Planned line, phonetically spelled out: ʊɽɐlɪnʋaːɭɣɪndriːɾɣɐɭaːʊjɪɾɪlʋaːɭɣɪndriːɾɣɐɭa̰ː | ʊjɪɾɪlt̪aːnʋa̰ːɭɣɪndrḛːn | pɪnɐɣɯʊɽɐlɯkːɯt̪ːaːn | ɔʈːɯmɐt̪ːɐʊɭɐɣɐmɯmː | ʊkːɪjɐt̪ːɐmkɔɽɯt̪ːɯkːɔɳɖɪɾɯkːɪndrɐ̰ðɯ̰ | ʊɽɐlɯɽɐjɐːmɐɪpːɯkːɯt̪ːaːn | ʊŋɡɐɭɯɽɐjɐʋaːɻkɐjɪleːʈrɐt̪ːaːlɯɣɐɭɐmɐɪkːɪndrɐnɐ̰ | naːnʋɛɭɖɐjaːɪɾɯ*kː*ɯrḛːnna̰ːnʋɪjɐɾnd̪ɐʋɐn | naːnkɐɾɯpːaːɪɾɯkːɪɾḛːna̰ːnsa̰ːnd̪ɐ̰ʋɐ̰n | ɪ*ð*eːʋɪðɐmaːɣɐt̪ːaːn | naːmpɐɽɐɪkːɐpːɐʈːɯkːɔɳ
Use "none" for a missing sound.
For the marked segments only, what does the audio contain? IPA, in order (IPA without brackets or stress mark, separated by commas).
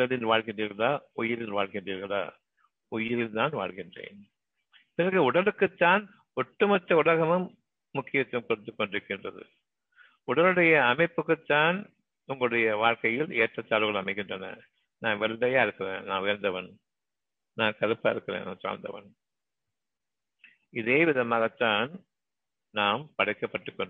kː, ð